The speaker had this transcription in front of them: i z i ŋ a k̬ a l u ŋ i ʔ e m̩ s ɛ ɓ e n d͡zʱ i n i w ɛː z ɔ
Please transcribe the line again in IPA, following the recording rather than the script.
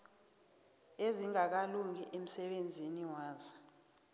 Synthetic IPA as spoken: e z i ŋ a k̬ a l u ŋ i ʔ e m̩ s ɛ ɓ e n d͡zʱ i n i w aː z ɔ

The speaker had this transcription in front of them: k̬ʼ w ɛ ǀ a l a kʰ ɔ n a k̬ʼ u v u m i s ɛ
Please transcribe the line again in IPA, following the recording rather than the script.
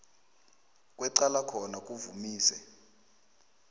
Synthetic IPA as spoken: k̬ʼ w ɛ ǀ a l a kʰ ɔ n a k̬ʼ u v u m iː s ɛ

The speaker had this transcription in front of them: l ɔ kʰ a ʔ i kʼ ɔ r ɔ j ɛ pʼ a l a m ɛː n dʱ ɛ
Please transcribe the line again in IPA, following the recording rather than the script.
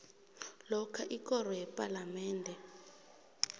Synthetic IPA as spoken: l ɔ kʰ a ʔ i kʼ ɔ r ɔ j ɛ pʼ a l a m ɛː n dʱ ɛ

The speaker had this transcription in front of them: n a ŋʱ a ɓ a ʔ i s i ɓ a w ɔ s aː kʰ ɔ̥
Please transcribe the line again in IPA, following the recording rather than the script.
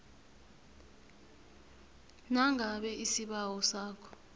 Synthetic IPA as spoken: n a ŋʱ a ɓ ɛ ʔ i s i ɓ a w ɔ s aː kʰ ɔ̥

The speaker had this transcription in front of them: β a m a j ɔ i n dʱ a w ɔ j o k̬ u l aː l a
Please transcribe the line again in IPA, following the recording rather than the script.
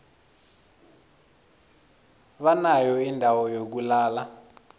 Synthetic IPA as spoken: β a n a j ɔ i n dʱ a w ɔ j o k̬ u l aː l a

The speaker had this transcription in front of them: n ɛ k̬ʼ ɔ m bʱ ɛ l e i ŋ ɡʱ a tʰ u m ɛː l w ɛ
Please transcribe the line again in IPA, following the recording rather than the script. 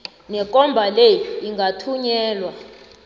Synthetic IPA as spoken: n ɛ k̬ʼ ɔ m bʱ a l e i ŋ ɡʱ a tʰ u ɲ ɛː l w a

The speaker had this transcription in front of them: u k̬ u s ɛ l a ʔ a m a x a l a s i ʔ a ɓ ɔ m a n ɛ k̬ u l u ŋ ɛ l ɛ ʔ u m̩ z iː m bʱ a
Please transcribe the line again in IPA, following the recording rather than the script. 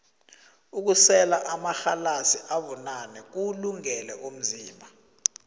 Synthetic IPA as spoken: u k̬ u s ɛ l a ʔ a m a x a l a s i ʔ a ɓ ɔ n a n ɛ k̬ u l u ŋ ɛ l ɛ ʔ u m̩ z iː m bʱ a

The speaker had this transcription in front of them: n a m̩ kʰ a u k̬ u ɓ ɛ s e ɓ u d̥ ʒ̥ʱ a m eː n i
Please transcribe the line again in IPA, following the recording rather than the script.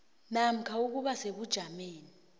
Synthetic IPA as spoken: n a m̩ kʰ a u k̬ u ɓ a s e ɓ u d̥ ʒ̥ʱ a m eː n i

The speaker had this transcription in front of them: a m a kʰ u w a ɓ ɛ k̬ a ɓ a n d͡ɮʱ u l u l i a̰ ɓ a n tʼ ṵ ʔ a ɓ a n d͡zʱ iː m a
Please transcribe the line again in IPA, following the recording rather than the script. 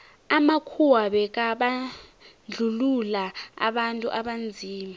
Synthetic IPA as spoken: a m a kʰ u w a ɓ ɛ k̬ a ɓ a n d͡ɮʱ u l u l a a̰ ɓ a n tʼ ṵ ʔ a ɓ a n d͡zʱ iː m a

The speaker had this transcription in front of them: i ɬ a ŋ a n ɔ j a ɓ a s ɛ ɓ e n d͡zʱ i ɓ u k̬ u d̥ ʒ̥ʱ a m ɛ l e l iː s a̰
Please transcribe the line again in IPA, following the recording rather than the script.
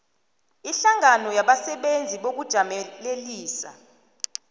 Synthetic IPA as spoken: i ɬ a ŋ a n ɔ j a ɓ a s ɛ ɓ e n d͡zʱ i ɓ o k̬ u d̥ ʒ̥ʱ a m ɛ l e l iː s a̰

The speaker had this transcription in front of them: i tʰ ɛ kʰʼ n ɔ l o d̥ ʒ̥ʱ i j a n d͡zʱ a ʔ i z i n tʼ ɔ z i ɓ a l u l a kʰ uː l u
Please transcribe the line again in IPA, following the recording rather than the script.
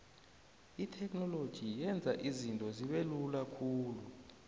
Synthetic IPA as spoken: i tʰ ɛ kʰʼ n ɔ l o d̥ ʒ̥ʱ i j ɛ n d͡zʱ a ʔ i z i n tʼ ɔ z i ɓ e l u l a kʰ uː l u

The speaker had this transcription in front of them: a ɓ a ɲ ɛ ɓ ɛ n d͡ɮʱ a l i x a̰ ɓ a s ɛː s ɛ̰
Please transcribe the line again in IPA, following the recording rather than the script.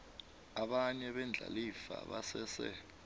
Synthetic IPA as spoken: a ɓ a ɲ ɛ ɓ ɛ n d͡ɮʱ a l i f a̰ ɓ a s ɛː s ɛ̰

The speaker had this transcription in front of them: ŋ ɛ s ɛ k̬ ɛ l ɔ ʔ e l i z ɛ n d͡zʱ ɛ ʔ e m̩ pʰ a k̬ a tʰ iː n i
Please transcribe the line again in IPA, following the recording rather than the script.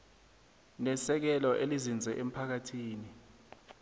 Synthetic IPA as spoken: n ɛ s ɛ k̬ ɛ l ɔ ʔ e l i z i n d͡zʱ ɛ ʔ e m̩ pʰ a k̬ a tʰ iː n i

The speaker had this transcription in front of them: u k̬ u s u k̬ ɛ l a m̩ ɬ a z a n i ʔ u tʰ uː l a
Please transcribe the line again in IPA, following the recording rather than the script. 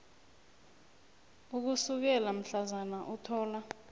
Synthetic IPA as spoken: u k̬ u s u k̬ ɛ l a m̩ ɬ a z a n a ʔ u tʰ ɔː l a

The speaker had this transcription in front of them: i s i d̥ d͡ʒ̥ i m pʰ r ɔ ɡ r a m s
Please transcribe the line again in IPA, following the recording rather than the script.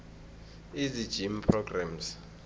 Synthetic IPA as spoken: i z i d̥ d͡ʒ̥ i m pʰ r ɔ ɡ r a m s

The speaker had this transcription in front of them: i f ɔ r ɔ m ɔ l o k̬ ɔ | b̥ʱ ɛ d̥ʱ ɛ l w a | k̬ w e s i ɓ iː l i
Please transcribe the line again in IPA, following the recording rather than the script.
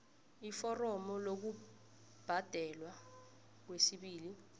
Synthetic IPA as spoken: i f ɔ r ɔ m ɔ l o k̬ u | b̥ʱ a d̥ʱ ɛ l w a | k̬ w e s i ɓ iː l i

